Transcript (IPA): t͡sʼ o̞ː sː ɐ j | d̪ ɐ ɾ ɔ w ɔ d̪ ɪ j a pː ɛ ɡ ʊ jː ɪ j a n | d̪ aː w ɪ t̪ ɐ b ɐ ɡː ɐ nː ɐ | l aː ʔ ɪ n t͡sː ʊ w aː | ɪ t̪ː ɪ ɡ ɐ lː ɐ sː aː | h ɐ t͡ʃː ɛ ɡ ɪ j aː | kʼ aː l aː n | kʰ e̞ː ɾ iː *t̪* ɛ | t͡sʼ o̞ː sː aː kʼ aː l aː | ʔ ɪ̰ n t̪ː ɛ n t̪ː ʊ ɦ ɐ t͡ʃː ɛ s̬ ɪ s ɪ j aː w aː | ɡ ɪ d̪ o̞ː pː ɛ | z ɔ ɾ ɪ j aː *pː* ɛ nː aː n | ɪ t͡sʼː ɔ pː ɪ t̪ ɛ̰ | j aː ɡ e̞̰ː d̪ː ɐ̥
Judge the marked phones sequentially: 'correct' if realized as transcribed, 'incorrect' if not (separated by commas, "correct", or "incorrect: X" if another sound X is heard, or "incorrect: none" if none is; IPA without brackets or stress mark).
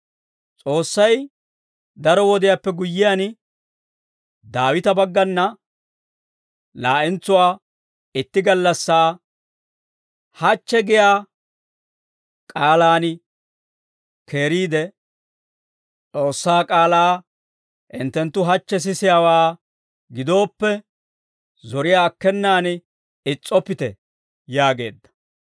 incorrect: d̪, incorrect: kː